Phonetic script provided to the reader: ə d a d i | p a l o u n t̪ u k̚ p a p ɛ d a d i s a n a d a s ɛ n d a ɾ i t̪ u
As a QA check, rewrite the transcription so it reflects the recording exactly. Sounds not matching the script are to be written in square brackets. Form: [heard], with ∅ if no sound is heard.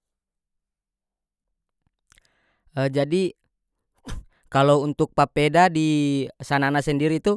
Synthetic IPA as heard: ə [d͡ʒ] a d i | [k] a l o u n t̪ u k̚ p a p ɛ d a d i s a n a [n] a s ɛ n d [i] ɾ i t̪ u